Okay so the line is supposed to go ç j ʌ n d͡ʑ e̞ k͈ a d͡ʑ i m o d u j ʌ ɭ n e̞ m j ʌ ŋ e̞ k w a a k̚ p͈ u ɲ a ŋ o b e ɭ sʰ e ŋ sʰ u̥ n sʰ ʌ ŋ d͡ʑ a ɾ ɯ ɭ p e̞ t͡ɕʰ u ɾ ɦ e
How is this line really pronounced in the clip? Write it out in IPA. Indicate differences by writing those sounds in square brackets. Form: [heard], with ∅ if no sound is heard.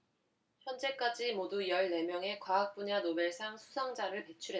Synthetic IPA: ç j ʌ n d͡ʑ e̞ k͈ a d͡ʑ i m o d u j ʌ ɭ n e̞ m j ʌ ŋ e̞ k w a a k̚ p͈ u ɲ a [n] o b e ɭ sʰ [a] ŋ sʰ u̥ [∅] sʰ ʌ ŋ d͡ʑ a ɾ ɯ ɭ p e̞ t͡ɕʰ u ɾ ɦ e